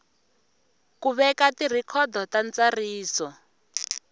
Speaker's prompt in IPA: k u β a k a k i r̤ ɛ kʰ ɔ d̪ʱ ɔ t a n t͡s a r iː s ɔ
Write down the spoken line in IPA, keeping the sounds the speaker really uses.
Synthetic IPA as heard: k u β ɛ k a t i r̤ i kʰ ɔ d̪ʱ ɔ t a n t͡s a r iː s ɔ